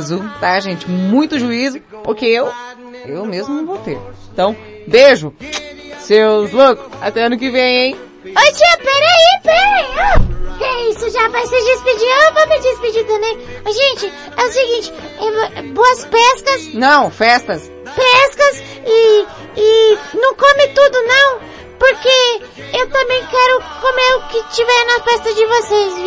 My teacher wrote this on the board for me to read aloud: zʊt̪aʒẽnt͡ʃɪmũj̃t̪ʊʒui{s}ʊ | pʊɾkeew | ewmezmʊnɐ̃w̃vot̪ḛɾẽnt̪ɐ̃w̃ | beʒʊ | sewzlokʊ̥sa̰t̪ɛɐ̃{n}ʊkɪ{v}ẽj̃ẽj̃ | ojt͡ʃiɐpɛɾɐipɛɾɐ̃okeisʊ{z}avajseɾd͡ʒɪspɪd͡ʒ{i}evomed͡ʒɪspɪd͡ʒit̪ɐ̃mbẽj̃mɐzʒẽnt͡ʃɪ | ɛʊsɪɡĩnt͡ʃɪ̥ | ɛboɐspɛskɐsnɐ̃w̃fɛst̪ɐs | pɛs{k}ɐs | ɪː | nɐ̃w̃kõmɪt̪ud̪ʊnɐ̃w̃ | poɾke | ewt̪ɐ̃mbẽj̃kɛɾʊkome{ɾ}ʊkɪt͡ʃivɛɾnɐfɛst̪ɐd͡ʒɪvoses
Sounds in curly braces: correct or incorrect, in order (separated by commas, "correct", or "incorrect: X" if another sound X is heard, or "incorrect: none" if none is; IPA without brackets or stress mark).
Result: incorrect: z, correct, correct, incorrect: ʒ, correct, correct, correct